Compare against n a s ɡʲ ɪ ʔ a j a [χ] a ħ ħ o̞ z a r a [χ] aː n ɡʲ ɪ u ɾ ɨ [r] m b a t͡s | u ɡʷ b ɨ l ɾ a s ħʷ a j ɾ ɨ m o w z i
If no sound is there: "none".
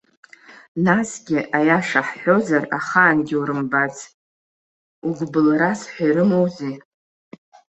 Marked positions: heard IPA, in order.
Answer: ʂ, χ, none

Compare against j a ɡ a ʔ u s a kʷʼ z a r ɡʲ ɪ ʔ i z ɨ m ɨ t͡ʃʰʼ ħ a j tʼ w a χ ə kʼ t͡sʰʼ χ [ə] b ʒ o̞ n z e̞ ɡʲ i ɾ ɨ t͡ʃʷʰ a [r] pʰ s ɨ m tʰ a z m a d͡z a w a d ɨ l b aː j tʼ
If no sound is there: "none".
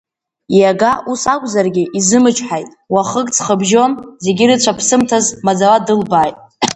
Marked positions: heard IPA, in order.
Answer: ə, none

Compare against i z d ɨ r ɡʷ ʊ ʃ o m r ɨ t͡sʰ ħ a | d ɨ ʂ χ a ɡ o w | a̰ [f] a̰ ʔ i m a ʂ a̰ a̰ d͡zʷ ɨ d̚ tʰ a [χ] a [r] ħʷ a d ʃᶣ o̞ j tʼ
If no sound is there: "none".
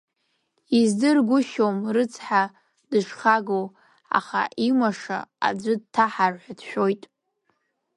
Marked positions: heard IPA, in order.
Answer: χ, ħ, r

